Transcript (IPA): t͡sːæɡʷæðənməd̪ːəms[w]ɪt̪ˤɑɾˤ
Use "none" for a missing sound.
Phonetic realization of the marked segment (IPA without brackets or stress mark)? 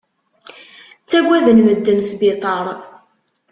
b